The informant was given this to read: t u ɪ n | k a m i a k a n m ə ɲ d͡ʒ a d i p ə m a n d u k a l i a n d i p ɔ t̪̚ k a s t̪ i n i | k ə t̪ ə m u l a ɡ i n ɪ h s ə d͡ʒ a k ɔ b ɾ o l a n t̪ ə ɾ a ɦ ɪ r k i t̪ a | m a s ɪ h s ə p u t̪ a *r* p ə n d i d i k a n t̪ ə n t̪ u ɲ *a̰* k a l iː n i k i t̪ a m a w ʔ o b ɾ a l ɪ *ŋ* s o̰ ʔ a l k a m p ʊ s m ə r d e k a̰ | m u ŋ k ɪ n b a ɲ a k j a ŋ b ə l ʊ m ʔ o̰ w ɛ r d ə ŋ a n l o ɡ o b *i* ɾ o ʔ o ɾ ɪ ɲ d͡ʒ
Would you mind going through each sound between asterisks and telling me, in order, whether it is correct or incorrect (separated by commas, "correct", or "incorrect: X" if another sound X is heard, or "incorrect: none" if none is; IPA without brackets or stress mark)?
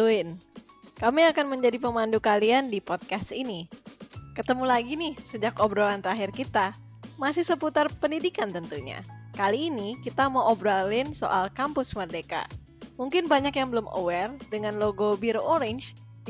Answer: correct, correct, incorrect: n, correct